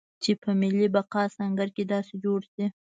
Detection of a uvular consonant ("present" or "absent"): present